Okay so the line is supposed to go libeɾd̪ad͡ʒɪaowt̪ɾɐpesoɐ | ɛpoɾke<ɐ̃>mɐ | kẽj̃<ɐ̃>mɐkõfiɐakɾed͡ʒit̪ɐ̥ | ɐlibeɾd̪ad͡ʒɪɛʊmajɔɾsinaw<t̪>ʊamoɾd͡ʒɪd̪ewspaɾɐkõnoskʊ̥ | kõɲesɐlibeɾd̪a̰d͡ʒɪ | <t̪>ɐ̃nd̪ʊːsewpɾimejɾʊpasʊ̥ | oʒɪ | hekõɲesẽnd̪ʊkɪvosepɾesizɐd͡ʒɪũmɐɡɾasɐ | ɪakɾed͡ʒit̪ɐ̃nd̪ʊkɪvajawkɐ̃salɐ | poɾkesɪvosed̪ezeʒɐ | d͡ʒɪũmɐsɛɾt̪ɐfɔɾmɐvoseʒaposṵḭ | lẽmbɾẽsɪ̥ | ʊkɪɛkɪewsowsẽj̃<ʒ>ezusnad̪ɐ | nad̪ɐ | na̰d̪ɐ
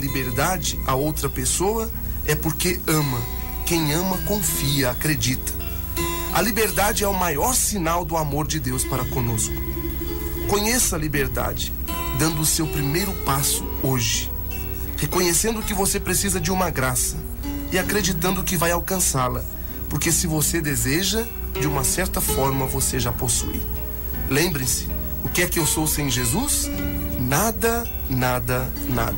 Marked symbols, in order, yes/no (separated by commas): yes, yes, no, no, yes